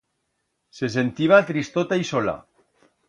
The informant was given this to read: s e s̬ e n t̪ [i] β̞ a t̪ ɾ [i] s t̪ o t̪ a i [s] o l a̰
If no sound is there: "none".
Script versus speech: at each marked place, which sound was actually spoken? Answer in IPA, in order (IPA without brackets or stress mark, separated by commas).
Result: i, i, s